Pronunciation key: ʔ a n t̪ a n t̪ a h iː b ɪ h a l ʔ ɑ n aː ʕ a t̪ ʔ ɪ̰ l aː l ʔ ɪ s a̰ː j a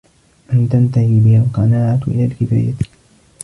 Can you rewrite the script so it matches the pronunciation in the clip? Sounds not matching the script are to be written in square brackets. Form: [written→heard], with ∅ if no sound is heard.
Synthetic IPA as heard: ʔ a n t̪ a n t̪ a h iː b ɪ h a l [ʔ→q] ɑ n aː ʕ a t̪ ʔ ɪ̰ l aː l [ʔ→k] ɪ [s→f] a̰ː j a